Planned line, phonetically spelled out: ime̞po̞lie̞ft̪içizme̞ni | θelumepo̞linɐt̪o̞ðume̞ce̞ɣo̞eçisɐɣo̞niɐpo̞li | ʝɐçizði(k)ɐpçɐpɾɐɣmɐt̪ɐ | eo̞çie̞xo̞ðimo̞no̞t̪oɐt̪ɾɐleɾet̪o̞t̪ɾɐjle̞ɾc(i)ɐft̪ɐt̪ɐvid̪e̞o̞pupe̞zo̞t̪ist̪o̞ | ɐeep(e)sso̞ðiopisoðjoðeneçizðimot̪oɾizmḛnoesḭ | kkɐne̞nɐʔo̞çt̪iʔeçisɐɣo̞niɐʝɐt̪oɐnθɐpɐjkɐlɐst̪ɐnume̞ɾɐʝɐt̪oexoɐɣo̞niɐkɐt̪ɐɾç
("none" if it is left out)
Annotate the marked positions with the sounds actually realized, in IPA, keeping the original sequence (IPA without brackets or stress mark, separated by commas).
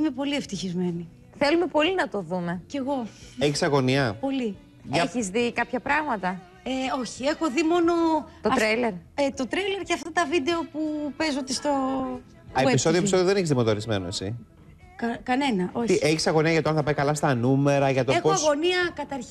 k, e, i